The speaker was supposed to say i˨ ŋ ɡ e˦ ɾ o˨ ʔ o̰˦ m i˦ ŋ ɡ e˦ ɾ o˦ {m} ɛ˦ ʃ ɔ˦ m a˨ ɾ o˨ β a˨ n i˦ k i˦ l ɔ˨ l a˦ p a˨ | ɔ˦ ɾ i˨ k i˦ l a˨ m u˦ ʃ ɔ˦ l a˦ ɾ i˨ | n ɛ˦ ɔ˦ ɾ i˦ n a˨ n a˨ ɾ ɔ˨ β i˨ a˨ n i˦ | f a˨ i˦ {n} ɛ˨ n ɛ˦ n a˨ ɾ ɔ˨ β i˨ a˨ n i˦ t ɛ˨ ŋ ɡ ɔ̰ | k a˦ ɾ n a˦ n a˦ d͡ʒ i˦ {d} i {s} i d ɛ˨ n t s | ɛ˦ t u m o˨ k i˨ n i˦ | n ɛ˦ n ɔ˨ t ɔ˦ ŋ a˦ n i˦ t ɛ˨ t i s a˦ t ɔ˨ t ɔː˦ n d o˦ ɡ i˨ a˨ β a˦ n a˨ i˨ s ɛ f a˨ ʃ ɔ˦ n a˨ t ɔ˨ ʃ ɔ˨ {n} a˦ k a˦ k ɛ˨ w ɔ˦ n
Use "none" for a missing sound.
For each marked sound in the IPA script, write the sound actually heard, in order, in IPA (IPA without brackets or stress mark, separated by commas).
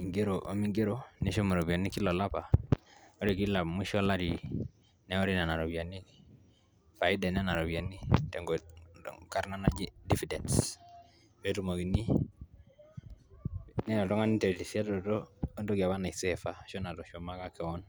n, d, d, f, m